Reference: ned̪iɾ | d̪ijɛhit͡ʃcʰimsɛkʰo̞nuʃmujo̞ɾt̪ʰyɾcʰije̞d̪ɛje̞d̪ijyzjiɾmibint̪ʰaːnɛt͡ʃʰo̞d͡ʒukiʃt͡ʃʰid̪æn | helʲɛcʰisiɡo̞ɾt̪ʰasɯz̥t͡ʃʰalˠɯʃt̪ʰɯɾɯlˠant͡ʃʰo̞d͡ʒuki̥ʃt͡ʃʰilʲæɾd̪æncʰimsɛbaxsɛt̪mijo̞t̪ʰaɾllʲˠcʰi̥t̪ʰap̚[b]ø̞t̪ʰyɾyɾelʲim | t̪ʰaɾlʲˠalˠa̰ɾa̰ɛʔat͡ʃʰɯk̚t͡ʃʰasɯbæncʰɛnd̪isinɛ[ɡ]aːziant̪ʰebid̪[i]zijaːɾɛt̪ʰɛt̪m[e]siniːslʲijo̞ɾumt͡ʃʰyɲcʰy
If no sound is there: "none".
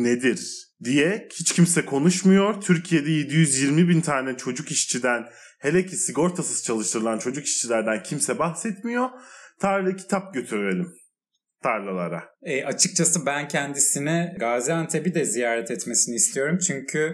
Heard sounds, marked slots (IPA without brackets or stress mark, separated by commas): ɟ, ɡ, ɛ, e